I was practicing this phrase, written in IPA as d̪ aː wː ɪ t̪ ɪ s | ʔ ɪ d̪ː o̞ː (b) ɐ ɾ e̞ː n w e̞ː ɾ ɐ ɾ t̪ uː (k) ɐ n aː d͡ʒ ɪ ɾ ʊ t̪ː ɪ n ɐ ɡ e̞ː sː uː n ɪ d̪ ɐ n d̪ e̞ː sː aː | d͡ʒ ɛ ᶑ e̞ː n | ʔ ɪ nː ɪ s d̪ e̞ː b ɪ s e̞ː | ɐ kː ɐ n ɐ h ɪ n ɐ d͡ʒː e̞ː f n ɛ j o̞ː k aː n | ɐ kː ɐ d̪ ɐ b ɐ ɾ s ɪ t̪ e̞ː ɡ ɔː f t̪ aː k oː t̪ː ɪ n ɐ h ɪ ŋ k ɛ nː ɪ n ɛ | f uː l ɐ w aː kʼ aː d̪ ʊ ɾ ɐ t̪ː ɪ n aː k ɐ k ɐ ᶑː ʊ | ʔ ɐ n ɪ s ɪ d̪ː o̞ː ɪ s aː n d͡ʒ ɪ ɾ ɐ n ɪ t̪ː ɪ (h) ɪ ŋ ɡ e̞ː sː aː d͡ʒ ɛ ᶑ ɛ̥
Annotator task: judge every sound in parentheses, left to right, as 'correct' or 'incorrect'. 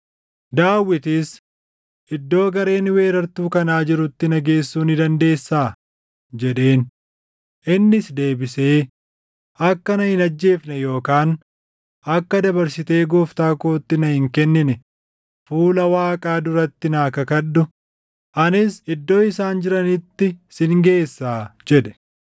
incorrect, correct, incorrect

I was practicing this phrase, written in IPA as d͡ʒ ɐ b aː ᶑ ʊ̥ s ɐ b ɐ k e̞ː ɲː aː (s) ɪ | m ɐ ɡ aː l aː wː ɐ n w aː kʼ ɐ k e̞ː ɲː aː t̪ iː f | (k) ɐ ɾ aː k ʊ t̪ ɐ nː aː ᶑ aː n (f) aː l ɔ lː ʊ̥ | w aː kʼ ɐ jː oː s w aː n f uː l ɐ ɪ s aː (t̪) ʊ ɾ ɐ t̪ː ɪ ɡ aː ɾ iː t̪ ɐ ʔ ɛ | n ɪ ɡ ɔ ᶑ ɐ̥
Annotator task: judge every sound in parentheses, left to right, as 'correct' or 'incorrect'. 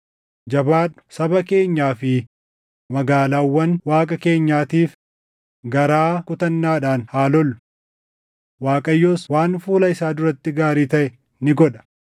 incorrect, incorrect, incorrect, incorrect

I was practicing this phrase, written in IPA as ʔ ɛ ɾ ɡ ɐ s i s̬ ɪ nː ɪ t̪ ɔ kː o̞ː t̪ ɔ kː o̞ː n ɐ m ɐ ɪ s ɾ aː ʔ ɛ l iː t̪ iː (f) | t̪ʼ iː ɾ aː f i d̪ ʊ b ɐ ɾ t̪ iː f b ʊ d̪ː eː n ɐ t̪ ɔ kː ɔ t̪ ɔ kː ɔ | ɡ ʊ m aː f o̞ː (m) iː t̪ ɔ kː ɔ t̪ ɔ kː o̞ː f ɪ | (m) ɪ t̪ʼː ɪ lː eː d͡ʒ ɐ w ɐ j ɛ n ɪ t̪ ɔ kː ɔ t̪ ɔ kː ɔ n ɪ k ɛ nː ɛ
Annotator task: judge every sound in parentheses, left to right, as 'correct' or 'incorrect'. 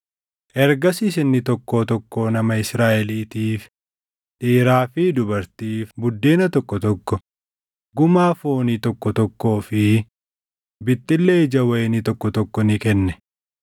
correct, incorrect, incorrect

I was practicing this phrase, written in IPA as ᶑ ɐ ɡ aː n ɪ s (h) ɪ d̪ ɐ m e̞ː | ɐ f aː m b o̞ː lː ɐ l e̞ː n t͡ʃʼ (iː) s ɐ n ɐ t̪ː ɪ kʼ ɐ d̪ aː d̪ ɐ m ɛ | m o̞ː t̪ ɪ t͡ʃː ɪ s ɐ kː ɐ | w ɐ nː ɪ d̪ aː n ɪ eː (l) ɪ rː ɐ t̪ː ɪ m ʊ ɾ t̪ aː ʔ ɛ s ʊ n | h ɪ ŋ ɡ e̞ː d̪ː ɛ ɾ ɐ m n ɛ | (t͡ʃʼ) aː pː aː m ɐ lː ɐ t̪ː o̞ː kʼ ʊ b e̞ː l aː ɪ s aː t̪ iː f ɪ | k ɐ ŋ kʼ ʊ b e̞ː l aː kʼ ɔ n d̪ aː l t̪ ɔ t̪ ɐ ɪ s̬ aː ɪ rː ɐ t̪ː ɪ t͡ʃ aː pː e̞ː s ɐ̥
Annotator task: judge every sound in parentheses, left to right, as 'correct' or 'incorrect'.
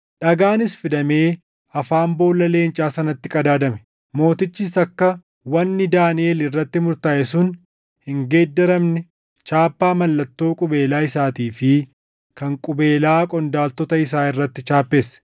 incorrect, incorrect, correct, incorrect

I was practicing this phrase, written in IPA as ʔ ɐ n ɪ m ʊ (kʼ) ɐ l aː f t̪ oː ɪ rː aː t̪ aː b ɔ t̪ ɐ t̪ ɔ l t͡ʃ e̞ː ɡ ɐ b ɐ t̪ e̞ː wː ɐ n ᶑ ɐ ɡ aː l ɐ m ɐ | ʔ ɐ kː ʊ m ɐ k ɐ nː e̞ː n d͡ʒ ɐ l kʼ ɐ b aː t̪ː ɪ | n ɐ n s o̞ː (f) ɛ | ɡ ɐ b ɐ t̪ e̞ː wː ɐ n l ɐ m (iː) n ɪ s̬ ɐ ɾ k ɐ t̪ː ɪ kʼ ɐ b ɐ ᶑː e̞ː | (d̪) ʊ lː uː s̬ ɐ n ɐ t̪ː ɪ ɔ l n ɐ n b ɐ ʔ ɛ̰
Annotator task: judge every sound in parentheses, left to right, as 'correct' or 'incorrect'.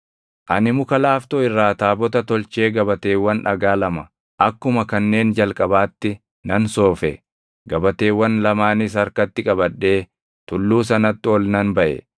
incorrect, correct, incorrect, incorrect

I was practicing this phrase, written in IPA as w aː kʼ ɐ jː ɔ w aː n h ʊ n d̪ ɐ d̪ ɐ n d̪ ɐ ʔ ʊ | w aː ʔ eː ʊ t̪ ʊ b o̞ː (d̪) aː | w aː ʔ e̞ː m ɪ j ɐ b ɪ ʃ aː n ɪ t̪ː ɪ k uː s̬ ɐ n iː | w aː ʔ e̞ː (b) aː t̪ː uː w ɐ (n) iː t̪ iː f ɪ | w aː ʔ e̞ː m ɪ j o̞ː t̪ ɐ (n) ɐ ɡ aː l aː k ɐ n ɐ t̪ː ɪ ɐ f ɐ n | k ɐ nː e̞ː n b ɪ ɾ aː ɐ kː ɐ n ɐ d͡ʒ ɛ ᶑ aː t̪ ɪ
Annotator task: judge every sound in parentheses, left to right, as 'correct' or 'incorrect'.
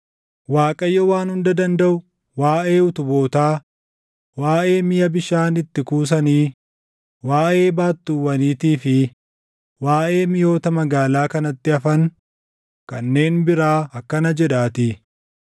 incorrect, correct, correct, incorrect

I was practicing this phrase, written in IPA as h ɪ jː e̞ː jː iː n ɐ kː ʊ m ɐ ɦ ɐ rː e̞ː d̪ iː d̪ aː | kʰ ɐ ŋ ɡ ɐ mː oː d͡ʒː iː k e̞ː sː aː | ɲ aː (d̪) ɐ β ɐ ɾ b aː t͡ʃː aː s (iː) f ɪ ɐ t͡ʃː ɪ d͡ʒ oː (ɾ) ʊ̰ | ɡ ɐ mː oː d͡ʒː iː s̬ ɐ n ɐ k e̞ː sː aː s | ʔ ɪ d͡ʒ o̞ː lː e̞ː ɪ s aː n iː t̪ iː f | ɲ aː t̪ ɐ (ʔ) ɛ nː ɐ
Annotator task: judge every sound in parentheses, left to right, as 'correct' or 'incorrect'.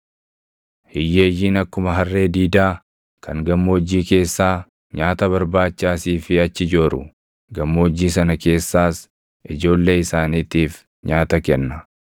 incorrect, correct, correct, incorrect

